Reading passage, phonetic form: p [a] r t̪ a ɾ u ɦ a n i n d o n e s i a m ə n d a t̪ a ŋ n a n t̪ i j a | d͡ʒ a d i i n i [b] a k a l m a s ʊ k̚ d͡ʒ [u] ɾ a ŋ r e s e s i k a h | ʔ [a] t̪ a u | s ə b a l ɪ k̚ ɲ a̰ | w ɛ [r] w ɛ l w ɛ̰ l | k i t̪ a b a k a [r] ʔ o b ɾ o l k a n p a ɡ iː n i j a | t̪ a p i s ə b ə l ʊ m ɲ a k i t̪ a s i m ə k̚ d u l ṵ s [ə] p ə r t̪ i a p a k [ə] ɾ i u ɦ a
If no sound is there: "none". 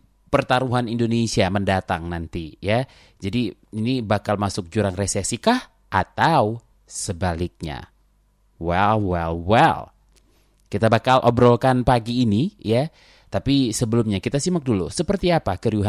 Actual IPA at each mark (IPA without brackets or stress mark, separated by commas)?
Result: ə, b, u, a, l, l, ə, ə